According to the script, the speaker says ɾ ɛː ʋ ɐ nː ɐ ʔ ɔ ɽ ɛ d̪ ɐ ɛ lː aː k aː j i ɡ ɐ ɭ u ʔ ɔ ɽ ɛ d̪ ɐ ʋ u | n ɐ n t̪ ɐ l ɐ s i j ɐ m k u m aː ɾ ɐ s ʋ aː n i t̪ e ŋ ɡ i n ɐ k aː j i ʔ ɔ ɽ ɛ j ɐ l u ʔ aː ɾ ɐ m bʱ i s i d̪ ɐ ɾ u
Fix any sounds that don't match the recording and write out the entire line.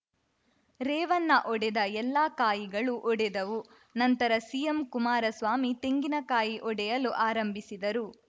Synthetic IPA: ɾ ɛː ʋ ɐ nː ɐ ʔ ɔ ɽ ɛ d̪ ɐ ɛ lː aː k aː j i ɡ ɐ ɭ u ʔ ɔ ɽ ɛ d̪ ɐ ʋ u | n ɐ n t̪ ɐ ɾ ɐ s i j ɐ m k u m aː ɾ ɐ s ʋ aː m i t̪ e ŋ ɡ i n ɐ k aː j i ʔ ɔ ɽ ɛ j ɐ l u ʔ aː ɾ ɐ m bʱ i s i d̪ ɐ ɾ u

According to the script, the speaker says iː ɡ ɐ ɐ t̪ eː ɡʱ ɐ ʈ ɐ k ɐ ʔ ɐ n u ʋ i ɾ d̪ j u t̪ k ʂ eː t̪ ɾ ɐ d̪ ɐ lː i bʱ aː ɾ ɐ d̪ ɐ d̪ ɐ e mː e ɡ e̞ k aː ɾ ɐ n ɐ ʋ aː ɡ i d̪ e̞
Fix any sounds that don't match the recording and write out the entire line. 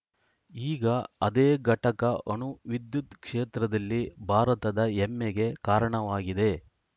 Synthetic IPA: iː ɡ ɐ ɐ d̪ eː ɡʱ ɐ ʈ ɐ k ɐ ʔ ɐ n u ʋ i d̪ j u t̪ k ʂ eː t̪ ɾ ɐ d̪ ɐ lː i bʱ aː ɾ ɐ t̪ ɐ d̪ ɐ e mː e ɡ e̞ k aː ɾ ɐ ɳ ɐ ʋ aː ɡ i d̪ e̞

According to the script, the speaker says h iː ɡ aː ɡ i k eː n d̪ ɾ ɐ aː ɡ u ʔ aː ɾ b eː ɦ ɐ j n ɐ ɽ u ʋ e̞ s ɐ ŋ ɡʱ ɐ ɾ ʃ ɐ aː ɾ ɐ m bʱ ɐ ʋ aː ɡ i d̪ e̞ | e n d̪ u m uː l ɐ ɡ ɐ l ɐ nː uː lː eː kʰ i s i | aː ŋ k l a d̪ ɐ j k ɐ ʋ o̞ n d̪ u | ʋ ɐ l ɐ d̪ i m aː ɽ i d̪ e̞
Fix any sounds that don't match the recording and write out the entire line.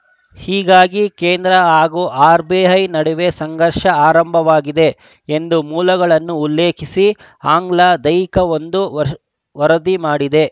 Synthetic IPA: h iː ɡ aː ɡ i k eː n d̪ ɾ ɐ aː ɡ u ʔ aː ɾ b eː ɦ ɐ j n ɐ ɽ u ʋ e̞ s ɐ ŋ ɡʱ ɐ ɾ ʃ ɐ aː ɾ ɐ m bʱ ɐ ʋ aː ɡ i d̪ e̞ | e n d̪ u m uː l ɐ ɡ ɐ ɭ ɐ nː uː lː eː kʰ i s i | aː ŋ ɡ l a d̪ ɐ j k ɐ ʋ o̞ n d̪ u | ʋ ɐ ɾ ɐ d̪ i m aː ɽ i d̪ e̞

